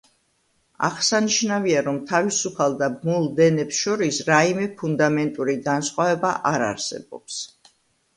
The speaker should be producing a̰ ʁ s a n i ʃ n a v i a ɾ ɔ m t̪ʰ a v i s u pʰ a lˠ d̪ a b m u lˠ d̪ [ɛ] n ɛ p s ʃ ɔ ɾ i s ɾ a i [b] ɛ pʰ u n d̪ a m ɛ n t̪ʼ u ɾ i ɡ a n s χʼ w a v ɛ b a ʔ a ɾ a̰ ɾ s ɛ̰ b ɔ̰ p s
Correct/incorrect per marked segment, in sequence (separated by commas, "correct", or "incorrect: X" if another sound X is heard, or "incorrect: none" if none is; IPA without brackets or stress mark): correct, incorrect: m